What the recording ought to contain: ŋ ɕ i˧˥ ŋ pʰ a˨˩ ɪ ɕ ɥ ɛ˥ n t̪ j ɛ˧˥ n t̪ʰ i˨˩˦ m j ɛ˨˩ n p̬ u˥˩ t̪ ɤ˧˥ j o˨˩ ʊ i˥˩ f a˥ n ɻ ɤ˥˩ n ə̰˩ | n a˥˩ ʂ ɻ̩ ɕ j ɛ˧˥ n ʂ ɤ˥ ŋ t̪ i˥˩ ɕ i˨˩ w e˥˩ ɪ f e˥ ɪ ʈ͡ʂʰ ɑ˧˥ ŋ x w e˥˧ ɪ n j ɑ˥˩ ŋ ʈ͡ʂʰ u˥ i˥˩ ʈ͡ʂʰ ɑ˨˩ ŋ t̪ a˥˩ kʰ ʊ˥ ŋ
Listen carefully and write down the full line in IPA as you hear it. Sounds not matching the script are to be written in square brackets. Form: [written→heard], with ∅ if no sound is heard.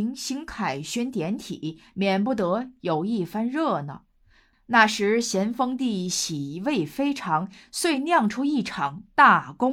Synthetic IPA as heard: ŋ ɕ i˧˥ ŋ [pʰ→kʰ] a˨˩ ɪ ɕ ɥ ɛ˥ n t̪ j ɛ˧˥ n t̪ʰ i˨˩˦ m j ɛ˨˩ n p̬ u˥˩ t̪ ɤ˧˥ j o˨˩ ʊ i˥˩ f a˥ n ɻ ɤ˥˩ n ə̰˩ | n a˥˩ ʂ ɻ̩ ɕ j ɛ˧˥ n [ʂ→f] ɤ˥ ŋ t̪ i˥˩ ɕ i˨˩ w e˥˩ ɪ f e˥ ɪ ʈ͡ʂʰ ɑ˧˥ ŋ [x→s] w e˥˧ ɪ n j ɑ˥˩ ŋ ʈ͡ʂʰ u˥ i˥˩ ʈ͡ʂʰ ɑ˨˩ ŋ t̪ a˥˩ [kʰ→k] ʊ˥ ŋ